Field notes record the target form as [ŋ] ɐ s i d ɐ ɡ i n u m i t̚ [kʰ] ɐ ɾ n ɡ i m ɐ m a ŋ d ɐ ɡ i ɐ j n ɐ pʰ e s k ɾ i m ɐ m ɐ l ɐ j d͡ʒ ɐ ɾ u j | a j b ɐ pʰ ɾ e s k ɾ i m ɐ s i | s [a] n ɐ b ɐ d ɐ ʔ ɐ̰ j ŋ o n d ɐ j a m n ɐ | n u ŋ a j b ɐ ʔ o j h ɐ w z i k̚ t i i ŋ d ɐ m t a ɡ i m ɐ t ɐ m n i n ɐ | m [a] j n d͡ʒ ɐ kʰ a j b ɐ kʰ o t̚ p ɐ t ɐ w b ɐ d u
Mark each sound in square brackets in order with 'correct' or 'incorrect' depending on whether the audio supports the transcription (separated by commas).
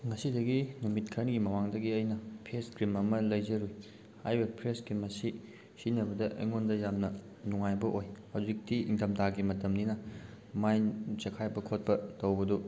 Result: correct, correct, incorrect, correct